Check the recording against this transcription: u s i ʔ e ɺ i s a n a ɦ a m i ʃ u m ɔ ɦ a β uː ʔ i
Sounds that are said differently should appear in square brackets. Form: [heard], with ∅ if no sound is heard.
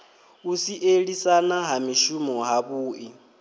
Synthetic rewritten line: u s i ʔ e ɺ i s a n a ɦ a m i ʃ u m ɔ ɦ a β uː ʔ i